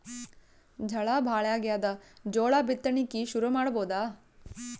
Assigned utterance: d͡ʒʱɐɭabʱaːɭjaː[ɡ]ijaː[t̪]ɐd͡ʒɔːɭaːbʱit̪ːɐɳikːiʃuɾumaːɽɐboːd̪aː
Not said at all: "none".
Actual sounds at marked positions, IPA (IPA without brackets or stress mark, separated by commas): ɡ, d̪